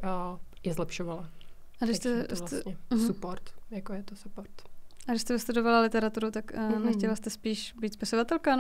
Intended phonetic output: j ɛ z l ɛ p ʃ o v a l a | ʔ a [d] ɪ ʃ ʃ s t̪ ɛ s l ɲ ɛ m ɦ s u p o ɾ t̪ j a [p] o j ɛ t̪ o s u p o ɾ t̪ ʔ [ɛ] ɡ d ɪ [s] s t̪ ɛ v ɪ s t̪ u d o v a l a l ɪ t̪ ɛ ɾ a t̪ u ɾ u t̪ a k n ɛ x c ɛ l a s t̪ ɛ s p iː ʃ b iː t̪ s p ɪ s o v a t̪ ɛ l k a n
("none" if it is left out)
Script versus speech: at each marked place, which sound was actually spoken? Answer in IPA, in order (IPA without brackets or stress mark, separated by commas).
d, k, a, ʃ